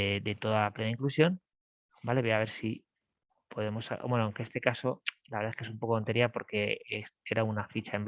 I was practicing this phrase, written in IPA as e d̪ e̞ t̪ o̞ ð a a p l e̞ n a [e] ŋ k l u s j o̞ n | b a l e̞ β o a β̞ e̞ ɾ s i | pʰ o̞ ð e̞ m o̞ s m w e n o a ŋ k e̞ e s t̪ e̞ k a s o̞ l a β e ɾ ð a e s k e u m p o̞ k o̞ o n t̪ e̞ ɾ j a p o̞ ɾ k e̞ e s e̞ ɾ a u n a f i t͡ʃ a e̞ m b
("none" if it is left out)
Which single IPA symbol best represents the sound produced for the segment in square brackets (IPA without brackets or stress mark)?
i